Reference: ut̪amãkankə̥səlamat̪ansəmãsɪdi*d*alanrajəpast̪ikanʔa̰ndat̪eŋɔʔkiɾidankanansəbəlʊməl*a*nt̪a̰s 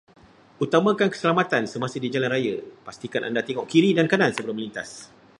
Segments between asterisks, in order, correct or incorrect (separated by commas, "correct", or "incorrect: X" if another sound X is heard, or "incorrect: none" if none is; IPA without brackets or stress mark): incorrect: d͡ʒ, incorrect: i